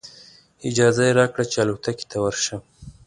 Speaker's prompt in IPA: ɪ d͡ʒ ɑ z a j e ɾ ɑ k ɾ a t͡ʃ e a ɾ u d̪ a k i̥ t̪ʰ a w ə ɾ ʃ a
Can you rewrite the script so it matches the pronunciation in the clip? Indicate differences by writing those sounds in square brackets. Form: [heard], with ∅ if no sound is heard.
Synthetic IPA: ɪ d͡ʒ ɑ z a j e ɾ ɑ k [ɽ] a t͡ʃ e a [l] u [t̪] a k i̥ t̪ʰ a w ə ɾ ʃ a